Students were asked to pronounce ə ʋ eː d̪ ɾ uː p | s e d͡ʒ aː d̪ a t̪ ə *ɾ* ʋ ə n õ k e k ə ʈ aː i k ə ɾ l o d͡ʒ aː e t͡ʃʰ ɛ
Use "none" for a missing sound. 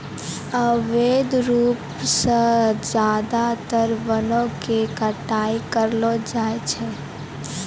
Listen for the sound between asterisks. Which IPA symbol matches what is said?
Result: ɾ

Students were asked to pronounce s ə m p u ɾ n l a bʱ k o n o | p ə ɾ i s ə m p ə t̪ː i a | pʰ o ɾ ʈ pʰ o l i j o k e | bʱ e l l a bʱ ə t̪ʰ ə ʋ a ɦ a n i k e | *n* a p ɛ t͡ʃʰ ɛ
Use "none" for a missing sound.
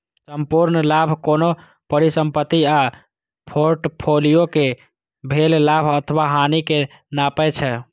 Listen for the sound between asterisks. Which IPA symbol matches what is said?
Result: n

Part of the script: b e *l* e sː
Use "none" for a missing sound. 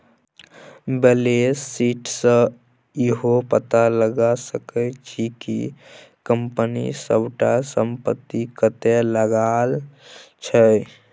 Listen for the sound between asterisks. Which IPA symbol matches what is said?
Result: l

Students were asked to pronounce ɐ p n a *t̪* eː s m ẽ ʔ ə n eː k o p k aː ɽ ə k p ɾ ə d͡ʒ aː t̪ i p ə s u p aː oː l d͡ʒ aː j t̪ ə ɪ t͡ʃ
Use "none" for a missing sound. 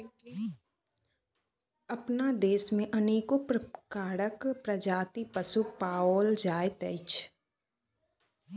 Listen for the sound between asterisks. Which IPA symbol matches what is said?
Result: d̪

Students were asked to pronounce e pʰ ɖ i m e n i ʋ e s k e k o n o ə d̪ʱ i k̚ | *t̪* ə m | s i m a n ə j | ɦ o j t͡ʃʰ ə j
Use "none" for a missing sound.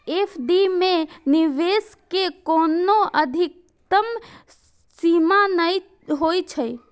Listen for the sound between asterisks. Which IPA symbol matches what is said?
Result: t̪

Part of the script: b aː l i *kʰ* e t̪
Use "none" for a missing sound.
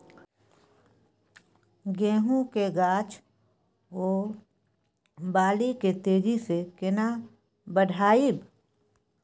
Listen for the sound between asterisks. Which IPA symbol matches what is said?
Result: k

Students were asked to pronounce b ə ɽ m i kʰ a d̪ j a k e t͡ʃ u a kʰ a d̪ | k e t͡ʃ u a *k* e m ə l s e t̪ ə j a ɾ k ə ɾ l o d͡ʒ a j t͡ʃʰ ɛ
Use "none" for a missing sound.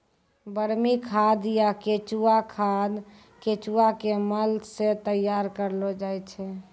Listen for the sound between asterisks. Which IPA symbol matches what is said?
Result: k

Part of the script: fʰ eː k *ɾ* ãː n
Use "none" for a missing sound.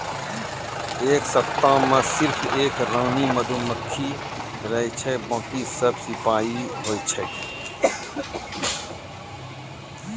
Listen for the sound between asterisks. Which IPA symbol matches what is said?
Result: ɾ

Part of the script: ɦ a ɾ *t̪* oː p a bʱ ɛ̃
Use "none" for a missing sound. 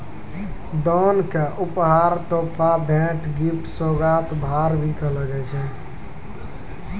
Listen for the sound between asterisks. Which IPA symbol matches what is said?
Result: t̪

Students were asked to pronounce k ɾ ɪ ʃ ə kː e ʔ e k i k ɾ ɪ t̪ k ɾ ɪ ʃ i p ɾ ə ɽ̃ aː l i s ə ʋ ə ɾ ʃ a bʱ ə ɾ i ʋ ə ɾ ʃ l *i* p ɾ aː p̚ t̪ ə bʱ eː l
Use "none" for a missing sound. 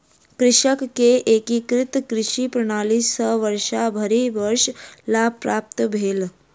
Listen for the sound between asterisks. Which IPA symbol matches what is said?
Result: a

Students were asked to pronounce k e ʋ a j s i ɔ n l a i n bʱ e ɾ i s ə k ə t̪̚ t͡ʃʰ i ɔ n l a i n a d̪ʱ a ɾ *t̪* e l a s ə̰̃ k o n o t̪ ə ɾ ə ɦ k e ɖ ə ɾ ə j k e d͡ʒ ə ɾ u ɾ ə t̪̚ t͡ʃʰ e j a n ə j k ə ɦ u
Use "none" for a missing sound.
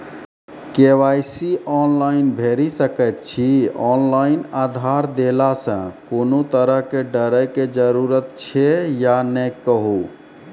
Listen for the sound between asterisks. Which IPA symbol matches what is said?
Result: d̪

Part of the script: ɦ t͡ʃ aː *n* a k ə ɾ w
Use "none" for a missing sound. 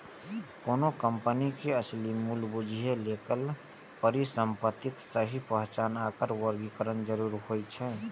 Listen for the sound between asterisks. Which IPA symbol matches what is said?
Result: n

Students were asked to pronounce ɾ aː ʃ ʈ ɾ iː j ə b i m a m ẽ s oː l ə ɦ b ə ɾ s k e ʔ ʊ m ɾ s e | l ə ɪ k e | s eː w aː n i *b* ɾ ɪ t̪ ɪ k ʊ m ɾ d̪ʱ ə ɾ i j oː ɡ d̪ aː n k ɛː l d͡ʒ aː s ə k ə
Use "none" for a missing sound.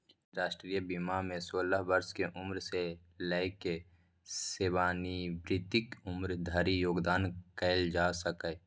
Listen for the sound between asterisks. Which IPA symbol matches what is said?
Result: b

